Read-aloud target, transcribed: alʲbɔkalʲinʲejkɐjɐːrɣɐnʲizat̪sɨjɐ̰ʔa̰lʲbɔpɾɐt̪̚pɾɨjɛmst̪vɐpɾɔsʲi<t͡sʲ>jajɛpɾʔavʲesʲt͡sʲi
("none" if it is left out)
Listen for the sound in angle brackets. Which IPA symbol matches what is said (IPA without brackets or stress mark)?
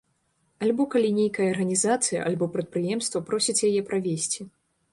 t͡sʲ